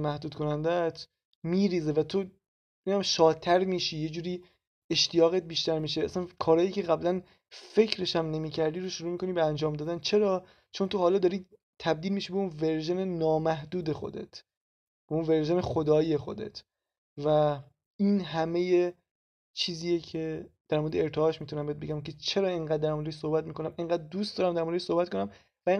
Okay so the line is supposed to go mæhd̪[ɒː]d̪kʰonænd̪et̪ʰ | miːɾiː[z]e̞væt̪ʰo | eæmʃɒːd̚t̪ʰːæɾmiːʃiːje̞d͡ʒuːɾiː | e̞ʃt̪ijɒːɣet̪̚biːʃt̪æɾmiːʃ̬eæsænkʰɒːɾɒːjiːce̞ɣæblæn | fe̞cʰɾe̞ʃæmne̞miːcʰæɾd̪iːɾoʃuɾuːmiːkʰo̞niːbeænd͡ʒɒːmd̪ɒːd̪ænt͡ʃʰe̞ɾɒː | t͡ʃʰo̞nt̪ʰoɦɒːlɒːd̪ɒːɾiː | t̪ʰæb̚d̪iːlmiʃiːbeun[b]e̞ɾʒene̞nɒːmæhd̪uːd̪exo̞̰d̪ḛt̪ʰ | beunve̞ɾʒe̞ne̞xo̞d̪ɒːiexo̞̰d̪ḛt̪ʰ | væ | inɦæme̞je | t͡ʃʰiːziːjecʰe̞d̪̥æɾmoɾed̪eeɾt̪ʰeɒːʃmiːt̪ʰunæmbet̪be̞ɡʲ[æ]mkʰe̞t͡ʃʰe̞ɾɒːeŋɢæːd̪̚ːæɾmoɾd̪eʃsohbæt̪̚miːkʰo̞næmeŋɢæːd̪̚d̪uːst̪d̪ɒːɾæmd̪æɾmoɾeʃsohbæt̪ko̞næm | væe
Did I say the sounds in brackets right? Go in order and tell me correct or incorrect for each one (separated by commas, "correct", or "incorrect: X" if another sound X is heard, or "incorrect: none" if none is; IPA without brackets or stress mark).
incorrect: uː, correct, incorrect: v, correct